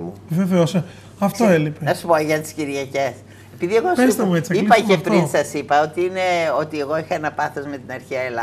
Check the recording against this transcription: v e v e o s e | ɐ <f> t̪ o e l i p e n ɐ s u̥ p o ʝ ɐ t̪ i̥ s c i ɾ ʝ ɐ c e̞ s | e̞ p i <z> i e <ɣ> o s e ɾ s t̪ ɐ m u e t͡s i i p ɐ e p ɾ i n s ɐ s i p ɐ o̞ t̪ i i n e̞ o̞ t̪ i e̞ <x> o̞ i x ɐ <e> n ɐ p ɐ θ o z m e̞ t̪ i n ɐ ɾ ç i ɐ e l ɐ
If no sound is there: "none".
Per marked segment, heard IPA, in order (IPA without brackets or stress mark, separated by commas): f, ð, ɣ, ɣ, e